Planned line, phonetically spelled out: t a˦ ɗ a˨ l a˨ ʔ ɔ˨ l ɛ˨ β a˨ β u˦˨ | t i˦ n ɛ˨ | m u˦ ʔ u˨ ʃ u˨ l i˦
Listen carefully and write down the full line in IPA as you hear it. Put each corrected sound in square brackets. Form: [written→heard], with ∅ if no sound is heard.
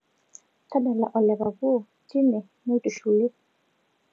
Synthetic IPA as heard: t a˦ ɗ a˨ l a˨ ʔ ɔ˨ l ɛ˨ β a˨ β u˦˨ | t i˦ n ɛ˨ | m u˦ [ʔ→t] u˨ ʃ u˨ l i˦